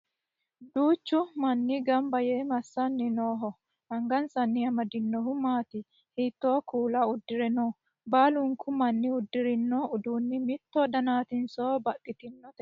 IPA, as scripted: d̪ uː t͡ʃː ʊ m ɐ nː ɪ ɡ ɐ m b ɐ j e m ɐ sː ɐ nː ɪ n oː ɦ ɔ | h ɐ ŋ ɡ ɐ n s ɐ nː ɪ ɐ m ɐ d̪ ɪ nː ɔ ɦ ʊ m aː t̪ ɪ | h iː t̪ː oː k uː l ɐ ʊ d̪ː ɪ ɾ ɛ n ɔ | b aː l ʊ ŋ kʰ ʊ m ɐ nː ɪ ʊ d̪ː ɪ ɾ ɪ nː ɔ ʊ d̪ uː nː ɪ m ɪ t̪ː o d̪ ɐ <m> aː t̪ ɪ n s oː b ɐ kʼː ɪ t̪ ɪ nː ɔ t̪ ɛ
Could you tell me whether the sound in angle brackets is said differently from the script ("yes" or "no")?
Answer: yes